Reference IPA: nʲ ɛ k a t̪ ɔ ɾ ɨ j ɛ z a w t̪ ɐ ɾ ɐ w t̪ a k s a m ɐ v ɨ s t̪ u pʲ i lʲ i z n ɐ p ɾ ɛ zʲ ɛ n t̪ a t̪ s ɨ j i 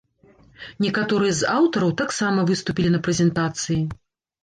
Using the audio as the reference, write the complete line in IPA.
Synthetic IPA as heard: nʲ ɛ k a t̪ ɔ ɾ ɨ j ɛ z a w t̪ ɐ ɾ ɐ w t̪ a k s a m ɐ v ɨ s t̪ u pʲ i lʲ i n ɐ p ɾ ɛ zʲ ɛ n t̪ a t̪ s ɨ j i